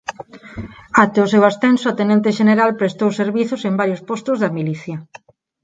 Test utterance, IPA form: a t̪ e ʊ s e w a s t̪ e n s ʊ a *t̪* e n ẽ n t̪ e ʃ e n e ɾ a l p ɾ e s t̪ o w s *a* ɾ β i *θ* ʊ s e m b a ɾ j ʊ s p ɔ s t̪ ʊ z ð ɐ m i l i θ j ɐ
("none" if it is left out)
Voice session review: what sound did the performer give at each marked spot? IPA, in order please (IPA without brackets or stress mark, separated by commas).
t̪, e, θ